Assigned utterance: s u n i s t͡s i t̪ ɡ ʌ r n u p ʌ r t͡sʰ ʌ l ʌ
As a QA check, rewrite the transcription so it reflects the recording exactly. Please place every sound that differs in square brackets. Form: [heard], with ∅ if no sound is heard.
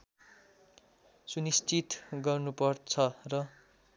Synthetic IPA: s u n i s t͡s i t̪ ɡ ʌ r n u p ʌ r t͡sʰ ʌ [r] ʌ